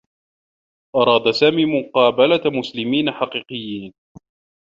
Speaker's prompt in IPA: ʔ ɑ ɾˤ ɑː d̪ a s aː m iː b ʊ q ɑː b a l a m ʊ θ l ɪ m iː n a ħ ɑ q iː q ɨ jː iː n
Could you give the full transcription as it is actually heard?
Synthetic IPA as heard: ʔ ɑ ɾˤ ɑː d̪ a s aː m iː m ʊ q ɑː b a l a m ʊ s l ɪ m iː n a ħ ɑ q iː q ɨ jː iː n